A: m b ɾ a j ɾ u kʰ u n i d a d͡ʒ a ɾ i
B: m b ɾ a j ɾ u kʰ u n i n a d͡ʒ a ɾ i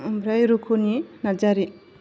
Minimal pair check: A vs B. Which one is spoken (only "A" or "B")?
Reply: B